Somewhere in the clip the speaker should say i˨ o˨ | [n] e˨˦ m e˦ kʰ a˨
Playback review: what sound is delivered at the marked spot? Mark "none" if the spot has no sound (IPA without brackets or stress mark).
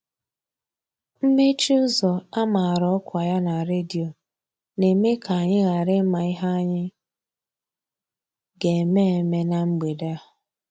n